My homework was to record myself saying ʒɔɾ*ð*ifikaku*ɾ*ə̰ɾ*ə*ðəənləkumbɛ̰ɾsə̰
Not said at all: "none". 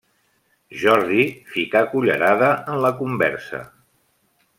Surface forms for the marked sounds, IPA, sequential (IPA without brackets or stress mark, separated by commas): ð, ʎ, a